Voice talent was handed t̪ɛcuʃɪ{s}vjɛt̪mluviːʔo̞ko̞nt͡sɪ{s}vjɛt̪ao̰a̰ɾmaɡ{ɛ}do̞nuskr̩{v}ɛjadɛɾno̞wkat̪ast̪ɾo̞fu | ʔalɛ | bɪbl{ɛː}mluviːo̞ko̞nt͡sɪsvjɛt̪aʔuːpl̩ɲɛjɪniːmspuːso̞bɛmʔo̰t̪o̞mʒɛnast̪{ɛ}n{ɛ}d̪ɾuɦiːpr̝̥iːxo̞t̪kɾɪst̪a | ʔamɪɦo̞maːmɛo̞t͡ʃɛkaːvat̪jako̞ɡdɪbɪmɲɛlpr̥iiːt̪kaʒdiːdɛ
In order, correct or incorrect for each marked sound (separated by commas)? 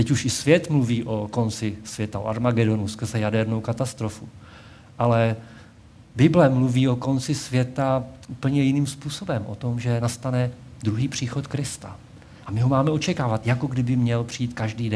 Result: correct, correct, correct, incorrect, incorrect, incorrect, correct